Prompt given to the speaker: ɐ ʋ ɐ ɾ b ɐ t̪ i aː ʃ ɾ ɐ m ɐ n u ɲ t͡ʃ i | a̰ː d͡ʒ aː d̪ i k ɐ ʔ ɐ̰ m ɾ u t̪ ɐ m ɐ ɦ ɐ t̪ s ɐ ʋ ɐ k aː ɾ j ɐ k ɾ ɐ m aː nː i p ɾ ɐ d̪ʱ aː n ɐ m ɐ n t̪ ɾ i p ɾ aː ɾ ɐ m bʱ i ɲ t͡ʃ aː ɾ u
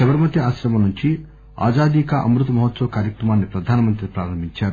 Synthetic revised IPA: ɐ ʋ ɐ ɾ m ɐ t̪ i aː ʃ ɾ ɐ m ɐ n u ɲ t͡ʃ i | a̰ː d͡ʒ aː d̪ i k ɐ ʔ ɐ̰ m ɾ u t̪ ɐ m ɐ ɦ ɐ t̪ s ɐ ʋ ɐ k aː ɾ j ɐ k ɾ ɐ m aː nː i p ɾ ɐ d̪ʱ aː n ɐ m ɐ n t̪ ɾ i p ɾ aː ɾ ɐ m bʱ i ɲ t͡ʃ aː ɾ u